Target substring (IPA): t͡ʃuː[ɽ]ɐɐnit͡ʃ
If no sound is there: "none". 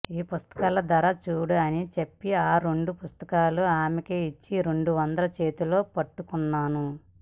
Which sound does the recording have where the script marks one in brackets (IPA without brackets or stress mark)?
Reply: ɽ